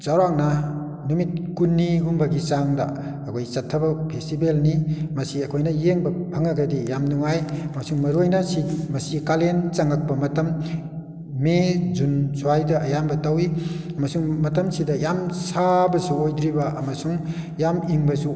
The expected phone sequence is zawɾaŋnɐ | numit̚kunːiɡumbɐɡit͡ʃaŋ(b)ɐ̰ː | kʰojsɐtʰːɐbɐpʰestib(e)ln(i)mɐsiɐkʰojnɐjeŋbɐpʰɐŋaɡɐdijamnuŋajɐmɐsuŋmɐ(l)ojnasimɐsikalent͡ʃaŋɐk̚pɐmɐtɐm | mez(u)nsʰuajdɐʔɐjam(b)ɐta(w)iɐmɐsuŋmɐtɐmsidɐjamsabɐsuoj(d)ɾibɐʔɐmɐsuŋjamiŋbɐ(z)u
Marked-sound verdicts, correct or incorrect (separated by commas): incorrect, correct, correct, incorrect, correct, correct, correct, correct, incorrect